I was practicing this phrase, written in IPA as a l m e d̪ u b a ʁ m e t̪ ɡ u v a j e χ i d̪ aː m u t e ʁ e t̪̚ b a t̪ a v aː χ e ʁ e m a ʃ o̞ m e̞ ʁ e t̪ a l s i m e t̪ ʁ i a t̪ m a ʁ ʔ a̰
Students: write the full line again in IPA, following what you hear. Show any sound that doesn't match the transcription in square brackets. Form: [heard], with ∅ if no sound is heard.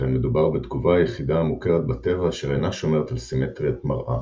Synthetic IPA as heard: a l m e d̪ u b a ʁ [b] e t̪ ɡ u v a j e χ i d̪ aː m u [k] e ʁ e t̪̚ b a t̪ [e] v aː [ʃ] e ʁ e [n] a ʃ o̞ m e̞ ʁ e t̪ a l s i m e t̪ ʁ i a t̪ m a ʁ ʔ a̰